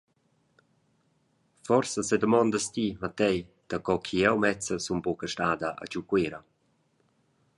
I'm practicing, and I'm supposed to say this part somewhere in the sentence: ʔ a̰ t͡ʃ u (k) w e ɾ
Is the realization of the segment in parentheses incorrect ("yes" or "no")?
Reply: no